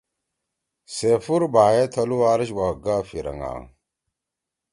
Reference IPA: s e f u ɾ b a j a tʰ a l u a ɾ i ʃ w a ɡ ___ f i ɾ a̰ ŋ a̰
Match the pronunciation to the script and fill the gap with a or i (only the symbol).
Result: a